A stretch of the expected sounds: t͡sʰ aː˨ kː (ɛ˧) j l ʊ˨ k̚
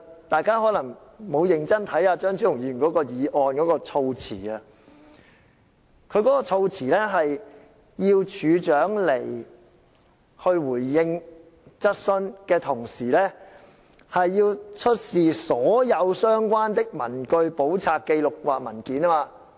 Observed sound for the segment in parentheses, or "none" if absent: e˧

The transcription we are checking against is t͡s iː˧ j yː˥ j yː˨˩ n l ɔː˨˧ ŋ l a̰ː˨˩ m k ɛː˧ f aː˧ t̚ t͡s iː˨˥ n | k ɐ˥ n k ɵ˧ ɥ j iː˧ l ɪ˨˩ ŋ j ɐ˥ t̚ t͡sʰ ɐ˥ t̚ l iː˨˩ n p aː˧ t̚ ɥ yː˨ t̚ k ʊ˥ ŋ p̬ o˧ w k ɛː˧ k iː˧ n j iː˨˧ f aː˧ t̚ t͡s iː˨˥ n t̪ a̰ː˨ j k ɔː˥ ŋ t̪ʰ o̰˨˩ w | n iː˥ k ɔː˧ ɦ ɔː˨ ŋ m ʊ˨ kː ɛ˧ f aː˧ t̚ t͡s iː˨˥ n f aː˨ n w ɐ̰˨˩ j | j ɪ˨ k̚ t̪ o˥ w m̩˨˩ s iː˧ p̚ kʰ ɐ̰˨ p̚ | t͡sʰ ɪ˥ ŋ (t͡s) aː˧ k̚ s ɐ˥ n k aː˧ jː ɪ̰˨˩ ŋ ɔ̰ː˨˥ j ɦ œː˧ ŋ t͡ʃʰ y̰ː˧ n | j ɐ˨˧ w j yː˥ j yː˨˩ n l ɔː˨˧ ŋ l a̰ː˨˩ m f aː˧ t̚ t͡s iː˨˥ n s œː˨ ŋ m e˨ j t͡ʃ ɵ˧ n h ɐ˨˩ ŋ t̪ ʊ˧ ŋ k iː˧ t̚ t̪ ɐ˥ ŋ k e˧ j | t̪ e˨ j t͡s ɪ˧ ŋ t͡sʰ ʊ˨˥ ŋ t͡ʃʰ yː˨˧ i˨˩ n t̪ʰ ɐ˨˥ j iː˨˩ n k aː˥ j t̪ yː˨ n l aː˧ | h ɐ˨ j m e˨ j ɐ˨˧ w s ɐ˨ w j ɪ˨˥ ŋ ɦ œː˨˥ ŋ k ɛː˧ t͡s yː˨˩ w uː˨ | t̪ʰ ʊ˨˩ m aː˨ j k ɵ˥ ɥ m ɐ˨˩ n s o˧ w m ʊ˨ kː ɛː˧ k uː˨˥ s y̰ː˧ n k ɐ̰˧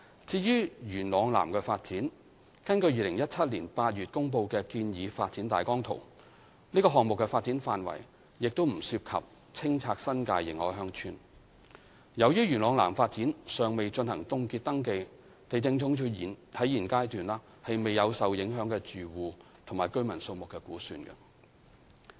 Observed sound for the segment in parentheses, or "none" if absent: t͡sʰ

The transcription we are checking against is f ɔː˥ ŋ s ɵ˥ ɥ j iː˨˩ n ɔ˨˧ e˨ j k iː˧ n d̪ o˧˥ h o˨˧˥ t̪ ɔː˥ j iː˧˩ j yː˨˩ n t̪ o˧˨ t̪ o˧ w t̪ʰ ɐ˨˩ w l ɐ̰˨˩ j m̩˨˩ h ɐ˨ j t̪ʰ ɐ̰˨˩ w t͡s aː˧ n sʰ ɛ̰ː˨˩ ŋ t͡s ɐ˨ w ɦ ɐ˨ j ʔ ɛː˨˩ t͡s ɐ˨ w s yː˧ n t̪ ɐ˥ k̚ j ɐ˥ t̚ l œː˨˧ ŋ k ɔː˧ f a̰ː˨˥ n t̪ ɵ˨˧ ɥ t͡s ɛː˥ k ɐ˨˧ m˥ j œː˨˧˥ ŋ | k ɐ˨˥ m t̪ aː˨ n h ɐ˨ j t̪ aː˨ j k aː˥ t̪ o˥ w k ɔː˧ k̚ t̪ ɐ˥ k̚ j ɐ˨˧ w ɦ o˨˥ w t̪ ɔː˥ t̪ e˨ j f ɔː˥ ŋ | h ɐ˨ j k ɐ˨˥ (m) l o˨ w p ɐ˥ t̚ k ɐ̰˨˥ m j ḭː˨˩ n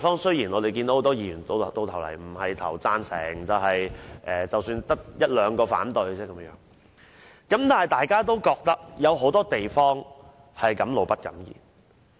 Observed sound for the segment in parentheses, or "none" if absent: m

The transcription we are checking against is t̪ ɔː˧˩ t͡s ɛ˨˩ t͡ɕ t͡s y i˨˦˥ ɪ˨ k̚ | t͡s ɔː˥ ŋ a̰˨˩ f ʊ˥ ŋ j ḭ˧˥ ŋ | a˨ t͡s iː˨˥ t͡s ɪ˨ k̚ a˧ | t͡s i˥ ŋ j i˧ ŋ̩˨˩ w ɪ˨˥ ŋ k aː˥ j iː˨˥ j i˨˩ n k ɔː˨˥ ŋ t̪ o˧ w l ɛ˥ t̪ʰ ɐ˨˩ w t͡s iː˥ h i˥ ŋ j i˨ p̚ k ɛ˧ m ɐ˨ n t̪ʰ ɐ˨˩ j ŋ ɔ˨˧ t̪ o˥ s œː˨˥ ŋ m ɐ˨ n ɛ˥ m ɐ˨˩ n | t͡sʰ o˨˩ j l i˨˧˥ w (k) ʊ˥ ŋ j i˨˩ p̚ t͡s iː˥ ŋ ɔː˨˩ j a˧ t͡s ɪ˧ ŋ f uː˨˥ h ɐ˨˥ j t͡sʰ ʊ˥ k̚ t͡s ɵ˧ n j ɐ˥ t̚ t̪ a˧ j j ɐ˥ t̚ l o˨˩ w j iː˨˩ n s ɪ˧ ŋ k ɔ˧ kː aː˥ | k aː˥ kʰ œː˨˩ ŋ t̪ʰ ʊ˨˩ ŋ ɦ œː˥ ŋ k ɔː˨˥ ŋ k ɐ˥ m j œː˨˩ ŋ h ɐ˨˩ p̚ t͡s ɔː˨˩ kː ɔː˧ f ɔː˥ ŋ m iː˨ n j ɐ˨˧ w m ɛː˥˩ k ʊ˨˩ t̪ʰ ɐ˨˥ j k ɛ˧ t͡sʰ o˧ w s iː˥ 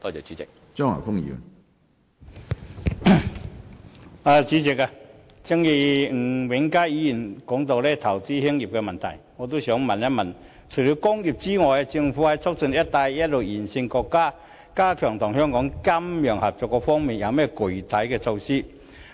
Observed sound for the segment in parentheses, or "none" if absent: k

